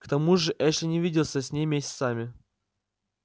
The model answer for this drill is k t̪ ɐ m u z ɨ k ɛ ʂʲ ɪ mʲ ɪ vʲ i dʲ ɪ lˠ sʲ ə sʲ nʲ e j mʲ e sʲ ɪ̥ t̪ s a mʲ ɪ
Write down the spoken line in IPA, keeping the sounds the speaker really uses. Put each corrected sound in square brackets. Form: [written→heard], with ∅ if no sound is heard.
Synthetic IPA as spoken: k t̪ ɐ m u [z→ʐ] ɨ [k→ʔ] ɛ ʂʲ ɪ [mʲ→nʲ] ɪ vʲ i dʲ ɪ lˠ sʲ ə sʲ nʲ e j mʲ e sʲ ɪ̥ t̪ s a mʲ ɪ